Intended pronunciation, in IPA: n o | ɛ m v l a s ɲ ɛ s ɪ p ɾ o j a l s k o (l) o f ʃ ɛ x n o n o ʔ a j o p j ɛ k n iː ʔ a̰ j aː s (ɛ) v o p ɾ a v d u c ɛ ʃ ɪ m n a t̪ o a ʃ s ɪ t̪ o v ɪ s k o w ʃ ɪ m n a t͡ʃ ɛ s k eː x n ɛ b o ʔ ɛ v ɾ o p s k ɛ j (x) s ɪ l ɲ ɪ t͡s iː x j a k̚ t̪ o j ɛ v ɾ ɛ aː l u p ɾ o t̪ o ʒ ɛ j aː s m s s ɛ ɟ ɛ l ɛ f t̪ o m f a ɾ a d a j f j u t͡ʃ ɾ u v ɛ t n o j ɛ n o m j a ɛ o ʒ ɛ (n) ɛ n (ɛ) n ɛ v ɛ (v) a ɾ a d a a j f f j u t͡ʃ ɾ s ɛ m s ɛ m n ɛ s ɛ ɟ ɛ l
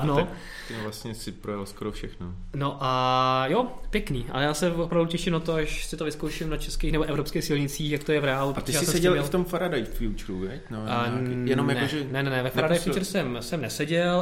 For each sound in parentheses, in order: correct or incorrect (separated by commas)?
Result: incorrect, correct, correct, correct, correct, incorrect